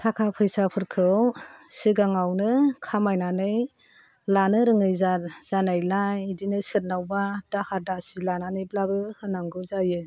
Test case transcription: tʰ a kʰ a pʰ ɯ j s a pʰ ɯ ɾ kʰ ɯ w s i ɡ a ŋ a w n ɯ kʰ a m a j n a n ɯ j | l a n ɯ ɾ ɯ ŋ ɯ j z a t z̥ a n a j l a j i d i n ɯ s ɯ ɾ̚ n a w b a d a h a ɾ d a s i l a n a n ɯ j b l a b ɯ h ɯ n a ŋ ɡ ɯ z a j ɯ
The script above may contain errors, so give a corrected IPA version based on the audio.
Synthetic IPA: tʰ a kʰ a pʰ ɯ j s a pʰ ɯ ɾ kʰ ɯ w s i ɡ a ŋ a w n ɯ kʰ a m a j n a n ɯ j | l a n ɯ ɾ ɯ ŋ ɯ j z a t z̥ a n a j l a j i d i n ɯ s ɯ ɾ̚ n a w b a d a h a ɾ d a s i l a n a n ɯ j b l a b ɯ h ɯ n a ŋ ɡ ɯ z a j ɯ